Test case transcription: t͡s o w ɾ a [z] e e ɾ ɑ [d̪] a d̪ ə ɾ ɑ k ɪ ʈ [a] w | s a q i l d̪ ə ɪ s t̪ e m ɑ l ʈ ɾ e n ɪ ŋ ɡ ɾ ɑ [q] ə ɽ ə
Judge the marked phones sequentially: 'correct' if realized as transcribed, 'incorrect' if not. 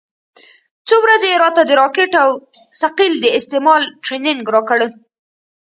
correct, incorrect, correct, incorrect

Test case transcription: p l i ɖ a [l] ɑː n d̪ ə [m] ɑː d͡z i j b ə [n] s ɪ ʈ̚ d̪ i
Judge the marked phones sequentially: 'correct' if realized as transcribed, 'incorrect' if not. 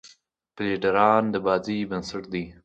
incorrect, incorrect, correct

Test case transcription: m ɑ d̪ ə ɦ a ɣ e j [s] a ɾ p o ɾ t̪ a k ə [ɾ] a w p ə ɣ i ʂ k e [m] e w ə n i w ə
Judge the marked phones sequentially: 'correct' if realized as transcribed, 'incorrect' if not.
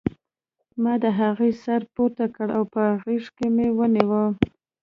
correct, incorrect, correct

